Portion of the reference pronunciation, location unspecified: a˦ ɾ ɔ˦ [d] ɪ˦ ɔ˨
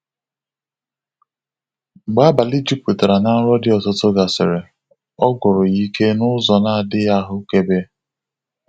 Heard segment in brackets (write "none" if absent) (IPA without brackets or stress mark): d